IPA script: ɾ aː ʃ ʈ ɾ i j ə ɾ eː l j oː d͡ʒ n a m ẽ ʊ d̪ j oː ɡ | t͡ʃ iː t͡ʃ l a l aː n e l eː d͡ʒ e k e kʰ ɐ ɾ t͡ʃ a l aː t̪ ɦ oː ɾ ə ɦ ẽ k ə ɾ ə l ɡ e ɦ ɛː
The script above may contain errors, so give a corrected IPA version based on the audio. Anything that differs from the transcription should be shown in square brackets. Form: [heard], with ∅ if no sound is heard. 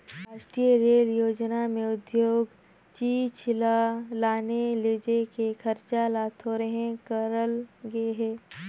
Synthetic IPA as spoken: ɾ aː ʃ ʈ ɾ i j ə ɾ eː l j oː d͡ʒ n a m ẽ ʊ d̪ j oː ɡ | t͡ʃ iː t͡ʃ l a l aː n e l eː d͡ʒ e k e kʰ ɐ ɾ t͡ʃ a l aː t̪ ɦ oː ɾ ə ɦ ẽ k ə ɾ ə l ɡ e ɦ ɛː